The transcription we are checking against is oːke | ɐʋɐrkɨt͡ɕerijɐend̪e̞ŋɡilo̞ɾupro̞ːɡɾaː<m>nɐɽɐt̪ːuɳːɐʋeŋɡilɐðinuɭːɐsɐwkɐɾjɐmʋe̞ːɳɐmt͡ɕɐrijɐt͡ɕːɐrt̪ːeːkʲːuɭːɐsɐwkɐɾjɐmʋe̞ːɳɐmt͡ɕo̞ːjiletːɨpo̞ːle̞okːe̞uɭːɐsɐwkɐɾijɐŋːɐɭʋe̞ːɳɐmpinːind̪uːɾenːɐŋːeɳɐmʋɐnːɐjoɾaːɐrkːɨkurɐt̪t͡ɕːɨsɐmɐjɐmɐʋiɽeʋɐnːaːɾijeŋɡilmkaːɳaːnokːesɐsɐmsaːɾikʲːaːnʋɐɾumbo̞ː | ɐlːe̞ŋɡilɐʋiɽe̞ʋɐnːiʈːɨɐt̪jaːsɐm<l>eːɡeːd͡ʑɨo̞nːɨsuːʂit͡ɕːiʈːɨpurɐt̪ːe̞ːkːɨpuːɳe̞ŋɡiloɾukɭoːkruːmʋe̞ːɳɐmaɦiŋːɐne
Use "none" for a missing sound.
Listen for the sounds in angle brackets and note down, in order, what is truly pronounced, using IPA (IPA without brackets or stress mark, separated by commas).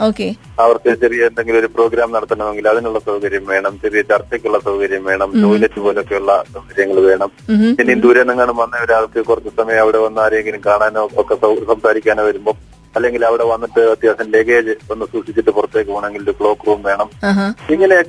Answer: m, l